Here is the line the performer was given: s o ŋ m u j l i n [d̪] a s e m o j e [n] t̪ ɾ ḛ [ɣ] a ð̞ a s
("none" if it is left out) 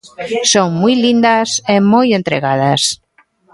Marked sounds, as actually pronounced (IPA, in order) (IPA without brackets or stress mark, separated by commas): d̪, n, ɣ